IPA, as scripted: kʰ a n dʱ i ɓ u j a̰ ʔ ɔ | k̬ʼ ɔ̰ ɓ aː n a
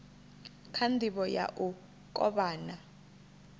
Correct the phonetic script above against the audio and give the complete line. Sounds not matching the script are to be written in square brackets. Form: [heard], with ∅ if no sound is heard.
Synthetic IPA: kʰ a n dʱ i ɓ [ɔ] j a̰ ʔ [u] | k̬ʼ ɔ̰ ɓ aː n a